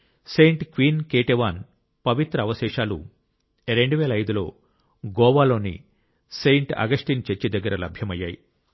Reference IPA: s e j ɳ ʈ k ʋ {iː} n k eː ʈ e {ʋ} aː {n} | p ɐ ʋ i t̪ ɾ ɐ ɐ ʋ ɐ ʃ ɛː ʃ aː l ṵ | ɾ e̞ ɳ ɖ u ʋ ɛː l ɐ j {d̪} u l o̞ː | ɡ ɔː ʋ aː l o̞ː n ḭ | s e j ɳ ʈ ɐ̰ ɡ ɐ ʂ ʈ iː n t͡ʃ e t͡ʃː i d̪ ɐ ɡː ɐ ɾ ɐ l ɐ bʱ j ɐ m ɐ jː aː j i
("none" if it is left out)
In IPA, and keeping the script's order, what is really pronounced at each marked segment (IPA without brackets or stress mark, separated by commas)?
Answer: iː, ʋ, n, d̪